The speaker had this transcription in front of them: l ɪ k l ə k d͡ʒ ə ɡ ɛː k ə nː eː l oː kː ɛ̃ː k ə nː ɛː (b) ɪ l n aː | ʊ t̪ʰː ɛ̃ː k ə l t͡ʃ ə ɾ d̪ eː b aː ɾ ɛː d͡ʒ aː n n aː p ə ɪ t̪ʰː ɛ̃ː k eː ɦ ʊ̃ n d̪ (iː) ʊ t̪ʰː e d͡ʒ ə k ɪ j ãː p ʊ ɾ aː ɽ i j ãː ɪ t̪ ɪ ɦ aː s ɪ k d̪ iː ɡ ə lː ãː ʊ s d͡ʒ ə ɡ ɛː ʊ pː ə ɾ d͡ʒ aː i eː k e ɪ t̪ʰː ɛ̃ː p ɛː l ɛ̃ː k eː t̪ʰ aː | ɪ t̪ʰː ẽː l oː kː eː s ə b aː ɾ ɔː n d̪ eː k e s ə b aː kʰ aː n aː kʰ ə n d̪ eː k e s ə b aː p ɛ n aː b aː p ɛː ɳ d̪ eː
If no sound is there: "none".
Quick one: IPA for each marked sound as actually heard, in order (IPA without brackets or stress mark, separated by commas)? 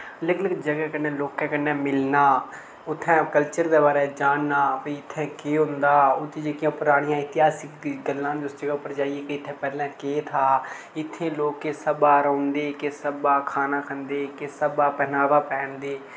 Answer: m, aː